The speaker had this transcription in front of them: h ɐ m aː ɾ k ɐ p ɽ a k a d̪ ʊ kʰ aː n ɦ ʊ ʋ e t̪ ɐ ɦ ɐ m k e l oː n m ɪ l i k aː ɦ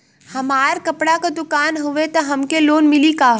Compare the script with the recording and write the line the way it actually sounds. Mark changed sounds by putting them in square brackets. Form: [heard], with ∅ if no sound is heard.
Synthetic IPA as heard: h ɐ m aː ɾ k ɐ p ɽ a k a d̪ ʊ [k] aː n ɦ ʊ ʋ e t̪ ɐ ɦ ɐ m k e l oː n m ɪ l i k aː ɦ